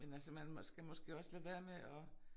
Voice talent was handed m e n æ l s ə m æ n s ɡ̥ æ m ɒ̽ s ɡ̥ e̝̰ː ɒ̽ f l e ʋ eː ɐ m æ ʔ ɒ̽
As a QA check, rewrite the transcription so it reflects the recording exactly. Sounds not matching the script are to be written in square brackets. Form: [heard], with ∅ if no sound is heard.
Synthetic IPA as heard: m e n æ l s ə m æ n s ɡ̥ æ m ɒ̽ s ɡ̥ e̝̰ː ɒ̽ [s] l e ʋ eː ɐ m [e] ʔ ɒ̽

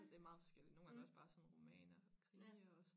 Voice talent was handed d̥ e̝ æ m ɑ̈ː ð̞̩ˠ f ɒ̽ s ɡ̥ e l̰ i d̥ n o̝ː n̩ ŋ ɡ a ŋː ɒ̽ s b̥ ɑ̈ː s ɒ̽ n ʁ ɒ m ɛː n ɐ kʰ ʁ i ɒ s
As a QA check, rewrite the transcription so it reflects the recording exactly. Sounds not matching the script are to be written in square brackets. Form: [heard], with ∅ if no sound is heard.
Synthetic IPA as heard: d̥ e̝ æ m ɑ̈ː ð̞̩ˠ f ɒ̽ s ɡ̥ e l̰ i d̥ n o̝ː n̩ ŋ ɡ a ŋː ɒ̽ s b̥ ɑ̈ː s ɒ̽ n ʁ [o] m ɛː n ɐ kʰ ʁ i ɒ s

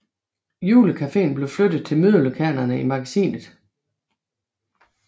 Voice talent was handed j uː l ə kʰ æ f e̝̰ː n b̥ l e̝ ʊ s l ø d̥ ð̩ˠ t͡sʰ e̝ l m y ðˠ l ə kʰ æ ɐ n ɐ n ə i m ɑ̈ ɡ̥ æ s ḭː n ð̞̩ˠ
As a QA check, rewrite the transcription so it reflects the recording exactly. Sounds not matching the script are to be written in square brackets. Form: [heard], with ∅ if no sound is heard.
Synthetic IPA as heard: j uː l ə kʰ æ f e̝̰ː n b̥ l e̝ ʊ [f] l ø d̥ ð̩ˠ t͡sʰ e̝ l m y ðˠ l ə kʰ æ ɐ n ɐ n ə i m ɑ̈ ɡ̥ æ s ḭː n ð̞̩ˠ

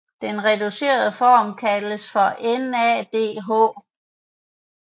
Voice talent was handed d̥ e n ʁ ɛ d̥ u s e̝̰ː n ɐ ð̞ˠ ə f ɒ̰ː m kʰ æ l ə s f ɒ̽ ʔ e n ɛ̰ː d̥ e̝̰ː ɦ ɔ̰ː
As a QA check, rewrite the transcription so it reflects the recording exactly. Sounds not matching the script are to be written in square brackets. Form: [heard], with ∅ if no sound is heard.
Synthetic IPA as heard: d̥ e n ʁ ɛ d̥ u s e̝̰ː [∅] ɐ ð̞ˠ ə f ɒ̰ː m kʰ æ l ə s f ɒ̽ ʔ e n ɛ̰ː d̥ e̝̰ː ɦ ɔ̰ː

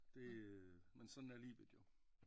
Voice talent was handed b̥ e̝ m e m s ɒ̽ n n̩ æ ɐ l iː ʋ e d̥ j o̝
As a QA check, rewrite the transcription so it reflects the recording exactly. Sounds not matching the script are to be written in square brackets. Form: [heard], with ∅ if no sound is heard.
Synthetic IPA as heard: [d̥] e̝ m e [n] s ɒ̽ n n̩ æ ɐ l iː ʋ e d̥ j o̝

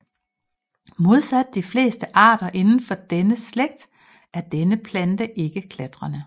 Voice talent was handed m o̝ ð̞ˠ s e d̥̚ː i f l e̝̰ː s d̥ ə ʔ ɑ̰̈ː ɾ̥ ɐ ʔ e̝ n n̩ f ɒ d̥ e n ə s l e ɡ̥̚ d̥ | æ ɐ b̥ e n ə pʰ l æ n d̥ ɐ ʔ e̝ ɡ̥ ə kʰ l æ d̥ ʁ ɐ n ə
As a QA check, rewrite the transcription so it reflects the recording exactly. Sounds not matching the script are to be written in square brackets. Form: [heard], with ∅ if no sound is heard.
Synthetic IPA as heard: m o̝ ð̞ˠ s [æ] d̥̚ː i f l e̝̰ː s d̥ ə ʔ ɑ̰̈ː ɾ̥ ɐ ʔ e̝ n n̩ f ɒ d̥ e n ə s l e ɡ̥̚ d̥ | æ ɐ [d̥] e n ə pʰ l æ n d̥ [ə] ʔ e̝ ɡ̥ ə kʰ l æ d̥ ʁ ɐ n ə

